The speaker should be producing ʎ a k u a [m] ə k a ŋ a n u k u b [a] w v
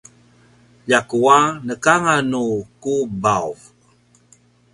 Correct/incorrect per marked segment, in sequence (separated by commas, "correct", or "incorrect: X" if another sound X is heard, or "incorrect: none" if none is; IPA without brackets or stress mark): incorrect: n, correct